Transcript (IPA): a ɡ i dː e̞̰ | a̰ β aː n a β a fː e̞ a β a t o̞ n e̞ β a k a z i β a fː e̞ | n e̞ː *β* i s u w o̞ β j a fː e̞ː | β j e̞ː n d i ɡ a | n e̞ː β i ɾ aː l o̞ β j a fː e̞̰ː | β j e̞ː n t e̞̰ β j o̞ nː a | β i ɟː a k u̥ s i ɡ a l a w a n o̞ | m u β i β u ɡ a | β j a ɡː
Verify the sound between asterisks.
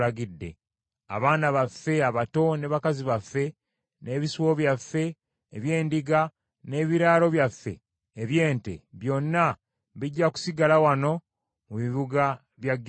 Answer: correct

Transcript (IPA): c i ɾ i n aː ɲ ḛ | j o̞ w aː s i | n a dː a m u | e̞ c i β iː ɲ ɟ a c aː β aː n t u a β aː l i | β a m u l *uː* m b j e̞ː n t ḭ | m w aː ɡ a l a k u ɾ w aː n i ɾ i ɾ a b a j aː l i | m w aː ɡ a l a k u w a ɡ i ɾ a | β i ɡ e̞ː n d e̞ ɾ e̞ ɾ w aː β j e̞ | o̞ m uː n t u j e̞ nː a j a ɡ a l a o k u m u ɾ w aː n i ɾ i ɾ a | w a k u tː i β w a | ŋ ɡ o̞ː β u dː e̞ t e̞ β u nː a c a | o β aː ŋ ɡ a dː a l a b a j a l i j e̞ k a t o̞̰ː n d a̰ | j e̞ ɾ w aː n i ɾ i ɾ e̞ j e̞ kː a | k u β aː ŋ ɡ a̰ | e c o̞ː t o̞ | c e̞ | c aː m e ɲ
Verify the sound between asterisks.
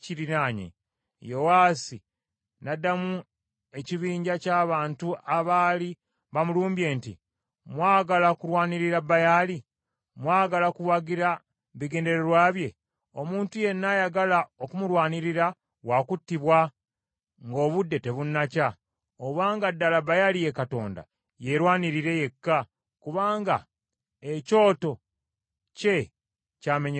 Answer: correct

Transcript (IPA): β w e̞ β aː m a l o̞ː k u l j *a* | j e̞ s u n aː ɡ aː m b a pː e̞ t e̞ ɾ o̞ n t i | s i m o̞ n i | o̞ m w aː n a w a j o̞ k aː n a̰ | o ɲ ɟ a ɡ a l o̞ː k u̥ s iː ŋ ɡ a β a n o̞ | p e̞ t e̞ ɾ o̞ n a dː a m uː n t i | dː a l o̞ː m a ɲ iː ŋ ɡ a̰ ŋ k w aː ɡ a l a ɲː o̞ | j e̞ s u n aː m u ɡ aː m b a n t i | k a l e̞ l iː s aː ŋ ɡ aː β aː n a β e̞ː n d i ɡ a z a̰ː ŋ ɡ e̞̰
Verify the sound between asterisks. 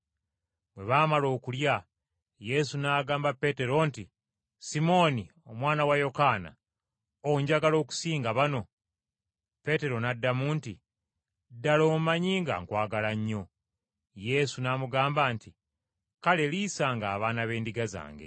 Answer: correct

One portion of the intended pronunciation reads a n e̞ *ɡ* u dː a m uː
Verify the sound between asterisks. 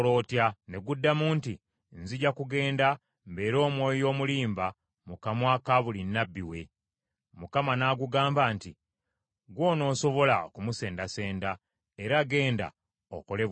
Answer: correct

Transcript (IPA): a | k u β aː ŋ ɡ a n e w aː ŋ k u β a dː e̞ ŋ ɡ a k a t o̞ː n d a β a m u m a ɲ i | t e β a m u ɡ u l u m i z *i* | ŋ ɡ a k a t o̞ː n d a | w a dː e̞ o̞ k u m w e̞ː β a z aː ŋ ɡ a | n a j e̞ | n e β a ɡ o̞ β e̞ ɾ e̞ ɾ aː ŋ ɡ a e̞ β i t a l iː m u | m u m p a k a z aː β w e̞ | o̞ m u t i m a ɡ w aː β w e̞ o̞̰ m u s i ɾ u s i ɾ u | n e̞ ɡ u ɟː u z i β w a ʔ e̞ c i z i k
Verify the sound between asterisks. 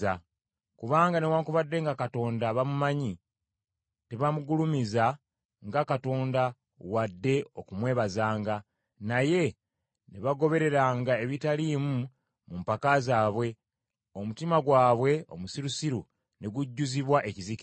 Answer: incorrect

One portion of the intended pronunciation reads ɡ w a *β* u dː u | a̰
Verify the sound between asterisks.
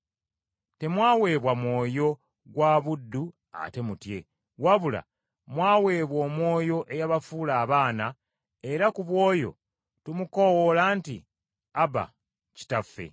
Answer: correct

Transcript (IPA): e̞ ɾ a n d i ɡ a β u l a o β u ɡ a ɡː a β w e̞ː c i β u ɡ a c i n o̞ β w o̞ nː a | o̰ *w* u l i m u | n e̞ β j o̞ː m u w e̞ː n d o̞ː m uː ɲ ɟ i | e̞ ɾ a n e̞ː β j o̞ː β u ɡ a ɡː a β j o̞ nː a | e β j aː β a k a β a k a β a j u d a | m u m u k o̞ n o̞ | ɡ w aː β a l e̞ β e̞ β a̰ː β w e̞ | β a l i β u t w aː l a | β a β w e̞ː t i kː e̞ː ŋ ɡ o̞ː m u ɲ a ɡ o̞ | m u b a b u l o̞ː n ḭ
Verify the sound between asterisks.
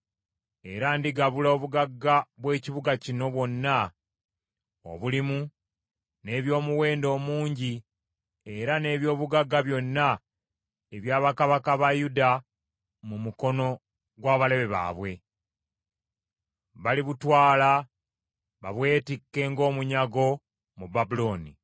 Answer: incorrect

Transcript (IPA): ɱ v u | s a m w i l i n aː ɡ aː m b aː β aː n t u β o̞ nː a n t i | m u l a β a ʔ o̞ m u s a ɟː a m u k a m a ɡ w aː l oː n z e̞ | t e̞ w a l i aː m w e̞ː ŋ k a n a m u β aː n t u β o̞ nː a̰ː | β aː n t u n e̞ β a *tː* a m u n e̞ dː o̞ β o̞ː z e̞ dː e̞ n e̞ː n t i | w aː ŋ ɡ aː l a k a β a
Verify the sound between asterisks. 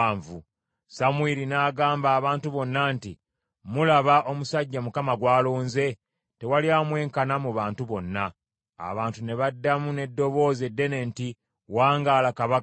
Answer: incorrect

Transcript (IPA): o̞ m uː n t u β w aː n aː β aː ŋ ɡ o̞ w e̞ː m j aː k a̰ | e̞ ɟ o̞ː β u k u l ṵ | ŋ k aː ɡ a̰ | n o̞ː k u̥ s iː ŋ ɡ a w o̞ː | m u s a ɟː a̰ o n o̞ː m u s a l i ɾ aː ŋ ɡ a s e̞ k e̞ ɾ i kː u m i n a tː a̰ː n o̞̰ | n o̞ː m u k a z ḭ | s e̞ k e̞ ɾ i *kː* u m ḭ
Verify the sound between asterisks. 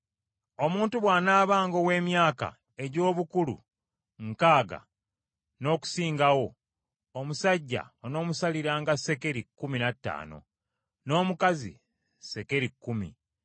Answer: correct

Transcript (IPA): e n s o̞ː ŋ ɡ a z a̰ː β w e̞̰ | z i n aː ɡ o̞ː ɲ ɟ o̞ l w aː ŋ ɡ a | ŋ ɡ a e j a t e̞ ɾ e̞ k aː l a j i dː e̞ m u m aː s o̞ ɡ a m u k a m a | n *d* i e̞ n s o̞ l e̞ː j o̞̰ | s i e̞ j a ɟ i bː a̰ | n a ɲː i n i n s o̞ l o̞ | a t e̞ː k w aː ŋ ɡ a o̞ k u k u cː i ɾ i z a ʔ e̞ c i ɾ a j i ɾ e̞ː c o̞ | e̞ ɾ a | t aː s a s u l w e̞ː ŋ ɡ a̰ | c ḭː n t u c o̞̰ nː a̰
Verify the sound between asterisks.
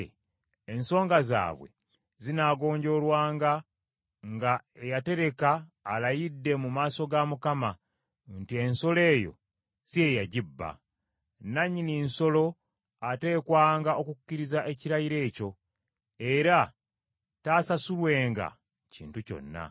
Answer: incorrect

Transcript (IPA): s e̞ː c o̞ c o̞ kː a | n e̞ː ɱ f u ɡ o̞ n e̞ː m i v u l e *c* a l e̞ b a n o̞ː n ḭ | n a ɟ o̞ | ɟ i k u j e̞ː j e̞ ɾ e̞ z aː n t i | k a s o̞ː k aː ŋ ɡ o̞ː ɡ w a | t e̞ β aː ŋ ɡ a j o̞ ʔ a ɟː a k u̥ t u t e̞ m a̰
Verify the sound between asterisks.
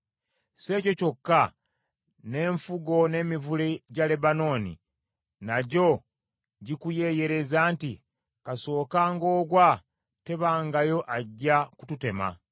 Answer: incorrect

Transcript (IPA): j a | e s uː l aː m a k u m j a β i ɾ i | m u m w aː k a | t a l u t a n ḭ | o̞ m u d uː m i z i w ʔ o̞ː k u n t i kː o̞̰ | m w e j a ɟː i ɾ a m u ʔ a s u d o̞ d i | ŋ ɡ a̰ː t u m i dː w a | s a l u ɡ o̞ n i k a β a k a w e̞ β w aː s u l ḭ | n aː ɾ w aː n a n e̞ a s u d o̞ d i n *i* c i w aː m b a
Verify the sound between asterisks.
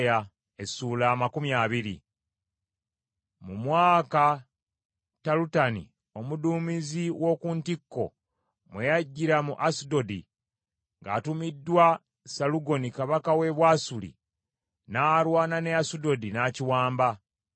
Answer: incorrect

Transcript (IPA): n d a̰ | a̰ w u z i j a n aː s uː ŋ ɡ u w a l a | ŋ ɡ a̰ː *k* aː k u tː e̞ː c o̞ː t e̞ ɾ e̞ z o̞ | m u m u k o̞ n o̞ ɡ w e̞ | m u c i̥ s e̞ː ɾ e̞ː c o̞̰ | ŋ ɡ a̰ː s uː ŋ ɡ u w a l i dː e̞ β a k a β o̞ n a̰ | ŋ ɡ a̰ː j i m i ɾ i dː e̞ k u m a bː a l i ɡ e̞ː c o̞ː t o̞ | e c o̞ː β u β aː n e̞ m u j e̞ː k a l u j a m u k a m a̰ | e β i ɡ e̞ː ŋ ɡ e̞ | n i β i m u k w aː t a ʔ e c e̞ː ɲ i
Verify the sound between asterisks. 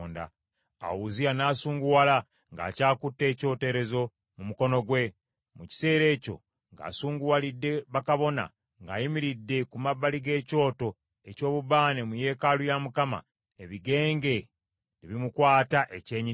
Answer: incorrect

